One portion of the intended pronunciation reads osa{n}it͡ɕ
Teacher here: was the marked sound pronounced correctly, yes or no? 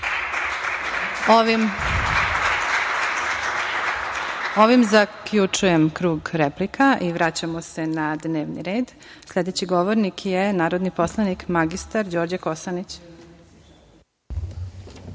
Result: yes